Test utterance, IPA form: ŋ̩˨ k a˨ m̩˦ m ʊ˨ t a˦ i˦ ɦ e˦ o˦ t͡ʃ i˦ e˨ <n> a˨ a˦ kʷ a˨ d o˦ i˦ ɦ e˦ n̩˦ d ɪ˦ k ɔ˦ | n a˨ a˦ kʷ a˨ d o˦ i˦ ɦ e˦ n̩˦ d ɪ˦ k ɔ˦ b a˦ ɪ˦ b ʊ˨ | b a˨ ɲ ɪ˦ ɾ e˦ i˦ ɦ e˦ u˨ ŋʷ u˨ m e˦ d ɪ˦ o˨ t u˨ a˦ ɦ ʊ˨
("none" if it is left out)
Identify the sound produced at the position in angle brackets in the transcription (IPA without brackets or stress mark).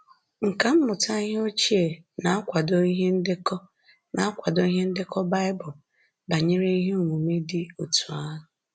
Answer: n